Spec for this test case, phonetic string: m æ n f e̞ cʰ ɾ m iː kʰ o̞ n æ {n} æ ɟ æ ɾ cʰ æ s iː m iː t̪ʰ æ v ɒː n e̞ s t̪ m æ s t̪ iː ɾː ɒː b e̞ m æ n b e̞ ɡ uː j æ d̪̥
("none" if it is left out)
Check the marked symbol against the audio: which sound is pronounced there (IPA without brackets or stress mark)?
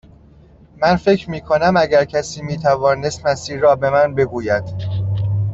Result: m